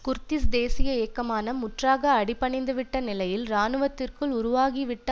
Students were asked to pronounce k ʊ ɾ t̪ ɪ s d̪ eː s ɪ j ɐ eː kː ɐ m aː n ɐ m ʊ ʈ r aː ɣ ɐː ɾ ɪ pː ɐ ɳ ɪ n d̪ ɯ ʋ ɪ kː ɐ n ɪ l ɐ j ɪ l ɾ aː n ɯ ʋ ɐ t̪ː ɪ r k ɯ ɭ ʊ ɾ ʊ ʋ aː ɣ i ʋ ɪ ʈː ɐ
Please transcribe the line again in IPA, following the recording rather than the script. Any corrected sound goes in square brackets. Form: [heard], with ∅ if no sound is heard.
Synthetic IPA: k ʊ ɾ t̪ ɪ s d̪ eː s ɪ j ɐ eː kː ɐ m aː n ɐ m ʊ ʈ r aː ɣ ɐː [ɽ] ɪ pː ɐ ɳ ɪ n d̪ ɯ ʋ ɪ [ʈː] ɐ n ɪ l ɐ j ɪ l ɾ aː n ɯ ʋ ɐ t̪ː ɪ r k ɯ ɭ ʊ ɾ ʊ ʋ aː ɣ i ʋ ɪ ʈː ɐ